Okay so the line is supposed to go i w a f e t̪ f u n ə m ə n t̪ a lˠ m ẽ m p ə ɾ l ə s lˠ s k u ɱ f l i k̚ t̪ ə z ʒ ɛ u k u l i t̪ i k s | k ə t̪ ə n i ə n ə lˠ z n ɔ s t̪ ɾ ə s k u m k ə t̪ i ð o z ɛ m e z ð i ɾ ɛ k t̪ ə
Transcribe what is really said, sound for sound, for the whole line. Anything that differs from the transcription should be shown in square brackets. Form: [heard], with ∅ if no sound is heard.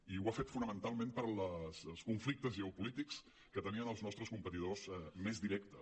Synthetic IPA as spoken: i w a f e t̪ f u n ə m ə n t̪ a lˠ m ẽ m p ə ɾ l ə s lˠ s k u ɱ f l i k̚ t̪ ə z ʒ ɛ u [p] u l i t̪ i k s | k ə t̪ ə n i ə n ə lˠ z n ɔ s t̪ ɾ ə s k u m [p] ə t̪ i ð o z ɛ m e z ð i ɾ ɛ k t̪ ə